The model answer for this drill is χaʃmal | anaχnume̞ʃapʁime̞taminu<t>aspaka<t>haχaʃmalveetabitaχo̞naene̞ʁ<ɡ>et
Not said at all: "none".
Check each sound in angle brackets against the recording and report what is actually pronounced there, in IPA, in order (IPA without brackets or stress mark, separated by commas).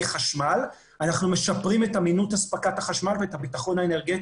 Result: t, t, ɡ